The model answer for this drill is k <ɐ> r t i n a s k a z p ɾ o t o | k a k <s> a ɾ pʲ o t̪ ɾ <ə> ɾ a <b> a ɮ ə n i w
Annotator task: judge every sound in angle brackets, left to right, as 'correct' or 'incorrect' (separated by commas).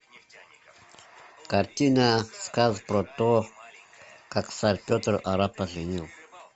incorrect, correct, incorrect, incorrect